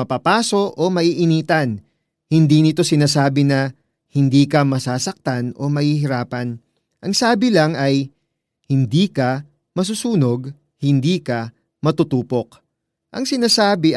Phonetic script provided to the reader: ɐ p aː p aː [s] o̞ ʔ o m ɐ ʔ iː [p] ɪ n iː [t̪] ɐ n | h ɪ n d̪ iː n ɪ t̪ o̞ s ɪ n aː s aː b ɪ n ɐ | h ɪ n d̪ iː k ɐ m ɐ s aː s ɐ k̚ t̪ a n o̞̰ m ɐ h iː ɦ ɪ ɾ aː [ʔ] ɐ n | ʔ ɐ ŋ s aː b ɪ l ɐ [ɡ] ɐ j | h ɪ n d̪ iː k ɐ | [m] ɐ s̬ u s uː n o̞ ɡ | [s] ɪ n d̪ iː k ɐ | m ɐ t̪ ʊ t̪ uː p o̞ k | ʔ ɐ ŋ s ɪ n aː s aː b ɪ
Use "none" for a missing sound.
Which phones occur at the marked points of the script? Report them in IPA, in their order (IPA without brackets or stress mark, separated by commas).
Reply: s, ʔ, t̪, p, ŋ, m, h